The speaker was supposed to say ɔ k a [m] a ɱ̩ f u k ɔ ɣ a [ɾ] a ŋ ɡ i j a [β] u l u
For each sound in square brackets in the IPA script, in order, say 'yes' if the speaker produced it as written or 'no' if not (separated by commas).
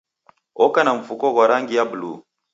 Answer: no, yes, no